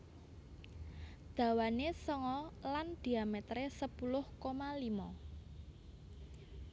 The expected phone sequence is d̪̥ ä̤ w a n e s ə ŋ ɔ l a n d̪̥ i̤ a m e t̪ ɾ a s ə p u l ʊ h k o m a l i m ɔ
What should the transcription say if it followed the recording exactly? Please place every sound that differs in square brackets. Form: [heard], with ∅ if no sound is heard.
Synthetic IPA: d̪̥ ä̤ w a n e s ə ŋ ɔ l a n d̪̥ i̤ a m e t̪ ɾ [e] s ə p u l ʊ h k o m a l i m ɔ